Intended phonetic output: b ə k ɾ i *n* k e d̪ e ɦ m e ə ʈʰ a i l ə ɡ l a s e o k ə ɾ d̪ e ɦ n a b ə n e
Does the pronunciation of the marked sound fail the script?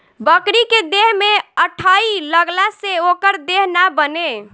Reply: yes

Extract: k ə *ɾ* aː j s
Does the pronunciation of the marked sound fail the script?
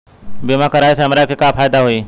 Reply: no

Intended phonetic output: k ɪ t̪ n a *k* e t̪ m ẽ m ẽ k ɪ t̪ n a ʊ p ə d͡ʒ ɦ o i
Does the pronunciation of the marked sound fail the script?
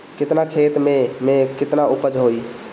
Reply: yes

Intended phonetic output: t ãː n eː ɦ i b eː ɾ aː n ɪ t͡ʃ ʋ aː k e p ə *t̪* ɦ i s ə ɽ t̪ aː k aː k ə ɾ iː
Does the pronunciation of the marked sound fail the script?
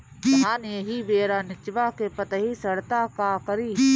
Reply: no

